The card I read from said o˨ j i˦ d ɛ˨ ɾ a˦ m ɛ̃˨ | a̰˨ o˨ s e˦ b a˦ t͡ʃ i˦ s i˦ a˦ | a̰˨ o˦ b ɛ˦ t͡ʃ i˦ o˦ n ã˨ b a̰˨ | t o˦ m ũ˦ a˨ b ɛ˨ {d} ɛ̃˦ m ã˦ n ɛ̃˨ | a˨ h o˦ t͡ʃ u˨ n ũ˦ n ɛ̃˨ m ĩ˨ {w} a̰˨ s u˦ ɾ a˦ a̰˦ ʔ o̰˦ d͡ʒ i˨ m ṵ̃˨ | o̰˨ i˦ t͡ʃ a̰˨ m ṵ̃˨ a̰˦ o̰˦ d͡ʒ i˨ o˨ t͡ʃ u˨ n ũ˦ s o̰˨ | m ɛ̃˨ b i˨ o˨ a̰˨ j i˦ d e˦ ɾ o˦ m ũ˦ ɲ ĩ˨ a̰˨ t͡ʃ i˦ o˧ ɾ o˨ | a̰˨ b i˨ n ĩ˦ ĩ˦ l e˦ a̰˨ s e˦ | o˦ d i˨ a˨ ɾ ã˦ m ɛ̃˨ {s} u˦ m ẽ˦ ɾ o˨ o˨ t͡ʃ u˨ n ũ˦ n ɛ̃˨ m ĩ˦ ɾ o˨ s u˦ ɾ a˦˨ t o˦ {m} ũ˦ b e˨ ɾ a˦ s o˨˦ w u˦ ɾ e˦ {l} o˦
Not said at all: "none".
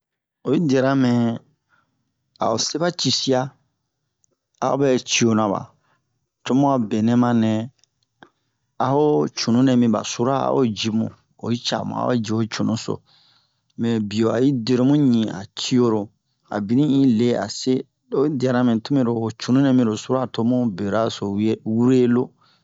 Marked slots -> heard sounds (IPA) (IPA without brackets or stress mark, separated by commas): n, b, t, m, l